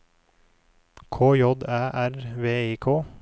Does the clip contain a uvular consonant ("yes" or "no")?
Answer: no